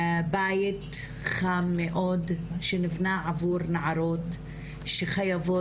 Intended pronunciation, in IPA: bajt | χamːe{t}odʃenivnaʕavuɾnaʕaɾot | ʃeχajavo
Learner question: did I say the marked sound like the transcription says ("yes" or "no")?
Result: no